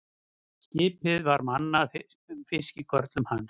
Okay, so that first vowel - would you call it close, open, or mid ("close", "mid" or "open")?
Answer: close